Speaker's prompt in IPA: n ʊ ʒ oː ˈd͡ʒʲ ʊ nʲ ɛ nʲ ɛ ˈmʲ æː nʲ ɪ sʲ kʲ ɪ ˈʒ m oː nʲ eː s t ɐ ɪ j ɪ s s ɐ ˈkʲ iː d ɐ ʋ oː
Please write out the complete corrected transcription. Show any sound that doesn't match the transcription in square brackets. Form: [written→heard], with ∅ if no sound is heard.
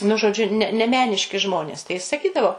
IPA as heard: n ʊ ʒ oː ˈd͡ʒʲ ʊ nʲ ɛ nʲ ɛ ˈmʲ æː nʲ ɪ [sʲ→ʃʲ] kʲ ɪ ˈʒ m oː nʲ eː s t ɐ ɪ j ɪ s s ɐ ˈkʲ iː d ɐ ʋ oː